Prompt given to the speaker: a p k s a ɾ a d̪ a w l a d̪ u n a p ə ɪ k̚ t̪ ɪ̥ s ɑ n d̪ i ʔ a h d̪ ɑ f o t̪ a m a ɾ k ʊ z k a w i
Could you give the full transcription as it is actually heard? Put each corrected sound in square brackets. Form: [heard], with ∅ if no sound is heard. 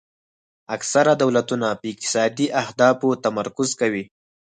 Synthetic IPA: a [∅] k s a ɾ a d̪ a w l a [t̪] u n a p ə ɪ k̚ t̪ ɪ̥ s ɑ [∅] d̪ i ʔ a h d̪ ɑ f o t̪ a m a ɾ k ʊ z k a w i